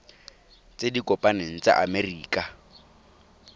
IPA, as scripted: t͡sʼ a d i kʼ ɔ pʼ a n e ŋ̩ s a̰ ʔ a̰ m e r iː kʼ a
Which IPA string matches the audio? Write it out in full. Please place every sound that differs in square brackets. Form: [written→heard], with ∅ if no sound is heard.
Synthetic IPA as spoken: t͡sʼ [a→e] d i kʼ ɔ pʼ a n e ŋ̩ [s→t͡s] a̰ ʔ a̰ m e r iː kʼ a